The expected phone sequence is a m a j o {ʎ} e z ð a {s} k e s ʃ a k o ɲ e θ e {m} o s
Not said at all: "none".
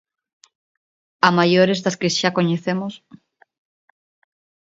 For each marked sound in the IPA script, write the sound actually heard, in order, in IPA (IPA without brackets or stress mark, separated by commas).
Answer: ɾ, s, m